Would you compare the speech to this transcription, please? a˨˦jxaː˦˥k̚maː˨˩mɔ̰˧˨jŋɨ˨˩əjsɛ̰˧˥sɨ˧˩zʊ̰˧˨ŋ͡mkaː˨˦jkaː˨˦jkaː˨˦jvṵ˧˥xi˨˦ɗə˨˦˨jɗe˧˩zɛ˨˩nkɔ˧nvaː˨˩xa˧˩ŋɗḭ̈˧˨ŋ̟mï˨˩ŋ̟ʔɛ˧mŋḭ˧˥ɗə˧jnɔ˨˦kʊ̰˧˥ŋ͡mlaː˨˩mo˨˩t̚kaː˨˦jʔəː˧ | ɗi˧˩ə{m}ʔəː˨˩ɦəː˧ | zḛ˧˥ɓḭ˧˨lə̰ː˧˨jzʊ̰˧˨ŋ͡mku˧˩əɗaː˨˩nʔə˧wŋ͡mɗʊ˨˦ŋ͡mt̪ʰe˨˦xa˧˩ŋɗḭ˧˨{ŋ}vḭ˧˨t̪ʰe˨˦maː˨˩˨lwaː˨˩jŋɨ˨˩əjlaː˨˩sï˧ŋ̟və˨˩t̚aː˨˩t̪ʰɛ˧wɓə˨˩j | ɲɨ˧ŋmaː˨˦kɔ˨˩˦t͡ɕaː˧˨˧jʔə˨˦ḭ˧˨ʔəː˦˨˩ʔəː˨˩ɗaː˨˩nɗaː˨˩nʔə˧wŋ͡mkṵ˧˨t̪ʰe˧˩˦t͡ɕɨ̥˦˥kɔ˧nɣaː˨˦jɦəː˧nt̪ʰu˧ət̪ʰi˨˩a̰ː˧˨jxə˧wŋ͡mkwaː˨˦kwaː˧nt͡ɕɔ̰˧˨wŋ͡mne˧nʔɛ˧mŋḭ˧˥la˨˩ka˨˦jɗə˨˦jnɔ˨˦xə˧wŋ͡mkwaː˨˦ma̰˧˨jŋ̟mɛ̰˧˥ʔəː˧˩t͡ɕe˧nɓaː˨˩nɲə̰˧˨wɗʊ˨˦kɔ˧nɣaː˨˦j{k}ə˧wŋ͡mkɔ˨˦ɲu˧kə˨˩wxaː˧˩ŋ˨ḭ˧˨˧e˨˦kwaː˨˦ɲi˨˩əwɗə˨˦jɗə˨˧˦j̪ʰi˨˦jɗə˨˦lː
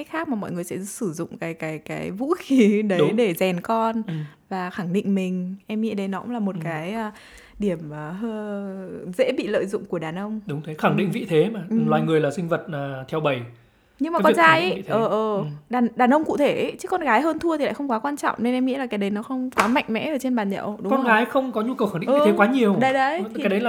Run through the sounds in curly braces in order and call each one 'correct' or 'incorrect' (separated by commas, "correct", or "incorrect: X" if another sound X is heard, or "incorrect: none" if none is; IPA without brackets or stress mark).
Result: correct, correct, incorrect: x